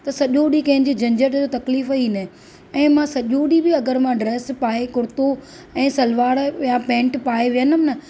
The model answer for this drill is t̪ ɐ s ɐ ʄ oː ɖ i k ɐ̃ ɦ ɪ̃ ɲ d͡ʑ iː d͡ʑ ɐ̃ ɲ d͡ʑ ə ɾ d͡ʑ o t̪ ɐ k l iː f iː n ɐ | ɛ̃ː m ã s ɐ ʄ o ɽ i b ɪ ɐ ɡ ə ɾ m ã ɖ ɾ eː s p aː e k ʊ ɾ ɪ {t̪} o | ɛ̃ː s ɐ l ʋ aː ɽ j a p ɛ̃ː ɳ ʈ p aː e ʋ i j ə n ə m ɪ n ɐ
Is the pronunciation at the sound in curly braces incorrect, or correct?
correct